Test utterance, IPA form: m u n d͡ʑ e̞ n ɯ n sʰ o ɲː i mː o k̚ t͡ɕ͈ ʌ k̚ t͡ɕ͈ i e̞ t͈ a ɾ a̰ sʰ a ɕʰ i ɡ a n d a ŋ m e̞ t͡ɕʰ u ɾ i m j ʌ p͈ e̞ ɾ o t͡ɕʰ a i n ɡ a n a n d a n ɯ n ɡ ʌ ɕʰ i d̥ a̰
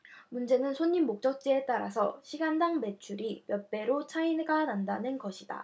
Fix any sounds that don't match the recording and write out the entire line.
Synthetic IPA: m u n d͡ʑ e̞ n ɯ n sʰ o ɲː i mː o k̚ t͡ɕ͈ ʌ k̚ t͡ɕ͈ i e̞ t͈ a ɾ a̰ sʰ ʌ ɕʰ i ɡ a n d a ŋ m e̞ t͡ɕʰ u ɾ i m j ʌ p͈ e̞ ɾ o t͡ɕʰ a i n ɡ a n a n d a n ɯ n ɡ ʌ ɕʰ i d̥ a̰

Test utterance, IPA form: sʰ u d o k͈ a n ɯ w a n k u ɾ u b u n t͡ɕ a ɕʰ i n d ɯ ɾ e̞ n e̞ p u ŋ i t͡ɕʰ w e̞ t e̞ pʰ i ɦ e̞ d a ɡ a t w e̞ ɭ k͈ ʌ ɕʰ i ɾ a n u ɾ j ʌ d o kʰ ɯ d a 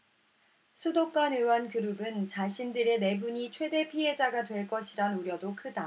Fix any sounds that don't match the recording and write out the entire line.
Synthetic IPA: sʰ u d o k͈ a n ɯ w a n k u ɾ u b ɯ n t͡ɕ a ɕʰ i n d ɯ ɾ e̞ n e̞ b u ɲ i t͡ɕʰ w e̞ d e̞ pʰ i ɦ e̞ d͡ʑ a ɡ a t w e̞ ɭ k͈ ʌ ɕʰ i ɾ a n u ɾ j ʌ d o kʰ ɯ d a

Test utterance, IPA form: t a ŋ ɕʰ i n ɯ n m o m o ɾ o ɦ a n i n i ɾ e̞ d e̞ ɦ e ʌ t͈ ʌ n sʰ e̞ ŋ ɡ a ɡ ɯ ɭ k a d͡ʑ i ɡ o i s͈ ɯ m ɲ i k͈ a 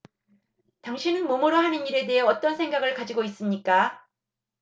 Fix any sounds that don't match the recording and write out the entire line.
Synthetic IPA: t a ŋ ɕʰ i n ɯ n m o m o ɾ o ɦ a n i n i ɾ e̞ d e̞ ɦ e ʌ t͈ ʌ n sʰ e̞ ŋ ɡ a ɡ ɯ ɭ k a d͡ʑ i ɡ o i s͈ ɯ m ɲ i k͈ a

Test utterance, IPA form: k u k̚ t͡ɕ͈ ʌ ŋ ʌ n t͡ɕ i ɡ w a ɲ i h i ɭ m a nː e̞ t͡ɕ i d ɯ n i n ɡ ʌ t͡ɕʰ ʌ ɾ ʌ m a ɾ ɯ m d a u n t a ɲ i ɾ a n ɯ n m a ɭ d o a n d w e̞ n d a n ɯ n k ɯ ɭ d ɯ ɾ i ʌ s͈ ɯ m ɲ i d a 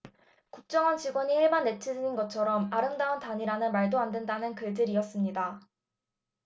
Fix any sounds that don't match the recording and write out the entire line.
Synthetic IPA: k u k̚ t͡ɕ͈ ʌ ŋ ʌ n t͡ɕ i ɡ w ʌ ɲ i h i ɭ m a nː e̞ t͡ɕʰ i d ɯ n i n ɡ ʌ t͡ɕʰ ʌ ɾ ʌ m a ɾ ɯ m d a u n t a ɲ i ɾ a n ɯ n m a ɭ d o a n d w e̞ n d a n ɯ n k ɯ ɭ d ɯ ɾ i ʌ s͈ ɯ m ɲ i d a

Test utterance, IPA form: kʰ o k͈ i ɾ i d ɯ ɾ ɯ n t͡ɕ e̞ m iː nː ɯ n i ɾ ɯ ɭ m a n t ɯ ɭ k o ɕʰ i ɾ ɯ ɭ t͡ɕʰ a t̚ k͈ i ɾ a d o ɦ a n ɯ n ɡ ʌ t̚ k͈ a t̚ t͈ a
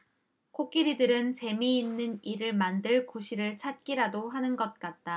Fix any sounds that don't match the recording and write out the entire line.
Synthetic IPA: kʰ o k͈ i ɾ i d ɯ ɾ ɯ n t͡ɕ e̞ m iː nː ɯ n i ɾ ɯ ɭ m a n d ɯ ɭ k o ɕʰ i ɾ ɯ ɭ t͡ɕʰ a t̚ k͈ i ɾ a d o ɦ a n ɯ n ɡ ʌ t̚ k͈ a t̚ t͈ a

